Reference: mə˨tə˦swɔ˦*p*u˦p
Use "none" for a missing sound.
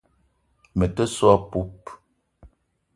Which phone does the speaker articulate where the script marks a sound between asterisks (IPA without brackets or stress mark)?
p